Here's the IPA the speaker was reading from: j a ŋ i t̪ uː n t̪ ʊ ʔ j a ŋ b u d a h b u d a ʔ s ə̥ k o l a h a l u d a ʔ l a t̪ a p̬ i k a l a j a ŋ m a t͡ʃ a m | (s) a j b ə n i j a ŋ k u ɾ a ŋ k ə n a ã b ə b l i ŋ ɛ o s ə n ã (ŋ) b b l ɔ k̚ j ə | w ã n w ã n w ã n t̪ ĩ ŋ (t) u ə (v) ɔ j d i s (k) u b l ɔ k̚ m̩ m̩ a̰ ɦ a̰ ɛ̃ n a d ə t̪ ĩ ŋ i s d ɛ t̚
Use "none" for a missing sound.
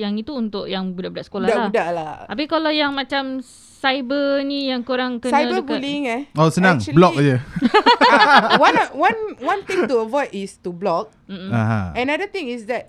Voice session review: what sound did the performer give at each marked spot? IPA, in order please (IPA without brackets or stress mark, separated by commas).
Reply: s, ŋ, t, v, t